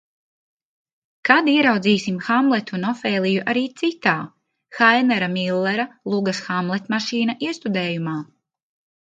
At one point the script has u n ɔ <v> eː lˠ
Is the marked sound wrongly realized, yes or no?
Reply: yes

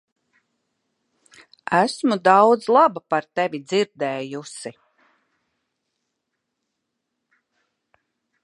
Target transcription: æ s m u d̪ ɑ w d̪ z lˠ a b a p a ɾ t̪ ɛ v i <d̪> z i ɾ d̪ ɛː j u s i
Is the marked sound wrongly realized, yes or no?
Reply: no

